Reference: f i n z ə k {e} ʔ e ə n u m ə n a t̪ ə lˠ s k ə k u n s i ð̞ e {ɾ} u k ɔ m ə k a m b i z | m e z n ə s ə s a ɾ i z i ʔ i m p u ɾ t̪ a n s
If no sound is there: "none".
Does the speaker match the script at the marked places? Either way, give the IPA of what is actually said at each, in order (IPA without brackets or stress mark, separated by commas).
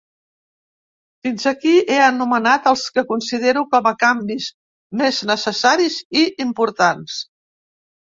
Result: i, ɾ